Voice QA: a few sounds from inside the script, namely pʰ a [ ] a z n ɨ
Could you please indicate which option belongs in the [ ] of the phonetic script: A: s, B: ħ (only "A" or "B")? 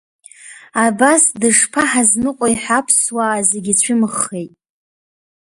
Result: B